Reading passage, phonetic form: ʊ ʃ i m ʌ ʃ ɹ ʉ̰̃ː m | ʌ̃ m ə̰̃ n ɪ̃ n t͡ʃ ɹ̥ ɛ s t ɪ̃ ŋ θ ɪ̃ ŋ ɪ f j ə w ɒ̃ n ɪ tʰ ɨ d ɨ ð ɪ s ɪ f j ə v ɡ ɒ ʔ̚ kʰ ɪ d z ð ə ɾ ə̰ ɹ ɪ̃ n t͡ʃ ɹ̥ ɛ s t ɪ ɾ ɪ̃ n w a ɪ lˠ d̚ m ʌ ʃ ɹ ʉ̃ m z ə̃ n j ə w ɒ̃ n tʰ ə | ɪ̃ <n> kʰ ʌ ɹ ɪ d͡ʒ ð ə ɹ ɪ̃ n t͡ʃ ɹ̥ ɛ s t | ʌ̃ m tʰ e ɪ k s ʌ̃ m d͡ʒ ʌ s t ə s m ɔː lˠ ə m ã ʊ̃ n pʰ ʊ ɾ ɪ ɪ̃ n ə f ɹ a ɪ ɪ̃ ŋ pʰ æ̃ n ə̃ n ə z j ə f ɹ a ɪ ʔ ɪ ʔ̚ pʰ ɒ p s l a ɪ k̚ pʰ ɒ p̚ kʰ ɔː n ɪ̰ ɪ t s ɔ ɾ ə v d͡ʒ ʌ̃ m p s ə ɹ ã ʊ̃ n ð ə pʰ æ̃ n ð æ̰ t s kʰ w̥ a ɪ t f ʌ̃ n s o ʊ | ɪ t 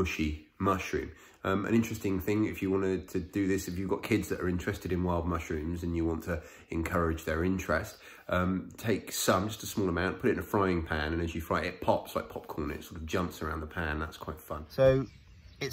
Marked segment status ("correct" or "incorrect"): correct